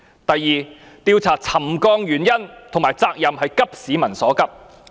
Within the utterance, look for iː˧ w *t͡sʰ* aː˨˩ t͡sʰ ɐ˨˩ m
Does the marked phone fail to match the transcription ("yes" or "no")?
no